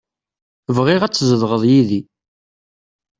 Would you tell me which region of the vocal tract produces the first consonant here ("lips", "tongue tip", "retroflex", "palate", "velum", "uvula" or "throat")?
lips